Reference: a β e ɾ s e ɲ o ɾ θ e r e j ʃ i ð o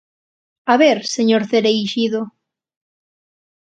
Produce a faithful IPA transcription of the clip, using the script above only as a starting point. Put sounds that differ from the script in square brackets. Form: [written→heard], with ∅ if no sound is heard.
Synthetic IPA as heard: a β e ɾ s e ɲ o ɾ θ e [r→ɾ] e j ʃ i ð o